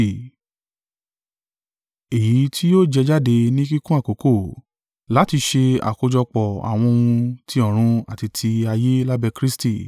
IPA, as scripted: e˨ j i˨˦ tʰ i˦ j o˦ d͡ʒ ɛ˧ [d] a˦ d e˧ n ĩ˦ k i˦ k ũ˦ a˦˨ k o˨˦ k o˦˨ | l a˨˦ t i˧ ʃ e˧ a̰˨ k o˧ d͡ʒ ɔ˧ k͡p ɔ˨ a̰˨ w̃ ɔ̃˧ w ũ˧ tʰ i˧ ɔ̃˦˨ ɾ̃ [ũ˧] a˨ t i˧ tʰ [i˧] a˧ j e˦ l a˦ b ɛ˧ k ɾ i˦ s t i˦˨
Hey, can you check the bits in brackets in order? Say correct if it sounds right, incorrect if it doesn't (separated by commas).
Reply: incorrect, correct, correct